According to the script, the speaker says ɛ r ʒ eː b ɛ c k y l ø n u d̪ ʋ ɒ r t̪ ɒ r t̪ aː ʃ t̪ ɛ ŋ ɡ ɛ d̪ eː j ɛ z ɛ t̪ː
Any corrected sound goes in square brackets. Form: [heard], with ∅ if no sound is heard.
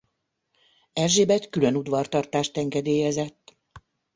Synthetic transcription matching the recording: ɛ r ʒ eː b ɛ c k y l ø n u d̪ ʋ ɒ r t̪ ɒ r t̪ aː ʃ t̪ ɛ ŋ ɡ ɛ d̪ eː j ɛ z ɛ t̪ː